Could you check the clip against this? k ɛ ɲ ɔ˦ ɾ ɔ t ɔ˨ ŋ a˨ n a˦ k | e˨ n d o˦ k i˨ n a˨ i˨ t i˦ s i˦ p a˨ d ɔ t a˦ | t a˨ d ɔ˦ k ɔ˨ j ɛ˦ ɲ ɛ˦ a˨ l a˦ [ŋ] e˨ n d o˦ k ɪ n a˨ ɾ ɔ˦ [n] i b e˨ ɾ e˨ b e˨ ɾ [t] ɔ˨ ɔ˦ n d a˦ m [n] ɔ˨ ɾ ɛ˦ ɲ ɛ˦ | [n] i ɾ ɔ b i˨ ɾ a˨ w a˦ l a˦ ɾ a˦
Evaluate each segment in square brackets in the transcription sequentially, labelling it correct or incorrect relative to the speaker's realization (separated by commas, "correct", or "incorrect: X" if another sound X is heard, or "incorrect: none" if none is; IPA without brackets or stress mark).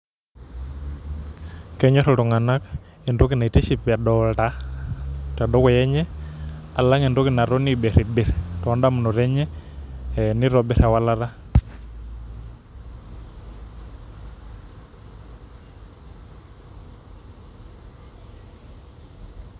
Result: correct, correct, correct, correct, correct